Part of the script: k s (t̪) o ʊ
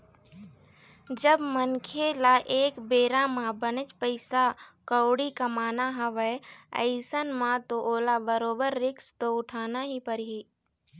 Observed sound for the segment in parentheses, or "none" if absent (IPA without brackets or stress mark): t̪